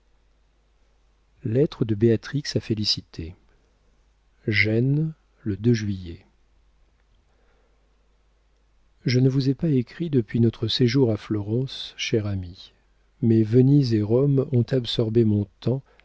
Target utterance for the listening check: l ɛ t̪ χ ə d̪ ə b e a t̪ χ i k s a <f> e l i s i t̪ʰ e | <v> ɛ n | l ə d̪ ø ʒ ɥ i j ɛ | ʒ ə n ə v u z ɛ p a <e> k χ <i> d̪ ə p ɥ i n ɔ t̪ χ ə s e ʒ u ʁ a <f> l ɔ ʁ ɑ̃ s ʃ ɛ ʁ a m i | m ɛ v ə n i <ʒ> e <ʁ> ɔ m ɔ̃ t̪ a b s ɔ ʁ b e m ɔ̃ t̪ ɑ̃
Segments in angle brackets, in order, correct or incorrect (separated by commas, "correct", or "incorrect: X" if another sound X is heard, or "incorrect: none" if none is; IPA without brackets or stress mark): correct, incorrect: ʒ, correct, correct, correct, incorrect: z, correct